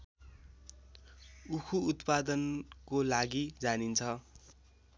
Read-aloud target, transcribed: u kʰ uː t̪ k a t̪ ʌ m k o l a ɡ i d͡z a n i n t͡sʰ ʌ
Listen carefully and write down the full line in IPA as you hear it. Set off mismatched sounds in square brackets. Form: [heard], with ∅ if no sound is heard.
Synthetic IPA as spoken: u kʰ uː t̪ [p] a [d̪] ʌ [n] k o l a ɡ i d͡z a n i n t͡sʰ ʌ